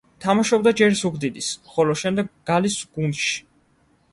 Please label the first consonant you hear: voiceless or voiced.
voiceless